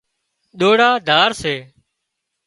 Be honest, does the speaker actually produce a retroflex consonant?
yes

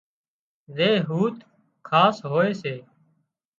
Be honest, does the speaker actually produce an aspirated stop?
yes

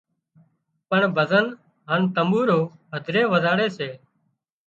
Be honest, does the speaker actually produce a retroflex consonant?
yes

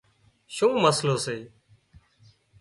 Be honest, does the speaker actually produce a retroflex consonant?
no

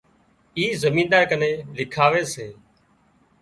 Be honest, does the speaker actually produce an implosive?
no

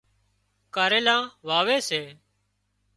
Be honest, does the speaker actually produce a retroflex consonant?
no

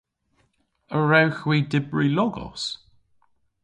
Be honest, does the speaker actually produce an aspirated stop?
no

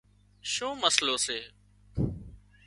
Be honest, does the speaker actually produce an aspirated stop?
no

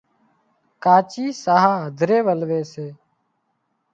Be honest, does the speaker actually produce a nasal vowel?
no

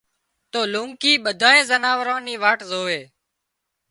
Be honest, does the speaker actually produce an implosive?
yes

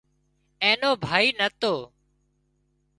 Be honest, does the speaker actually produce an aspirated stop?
no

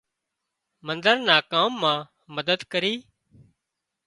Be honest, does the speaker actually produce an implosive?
no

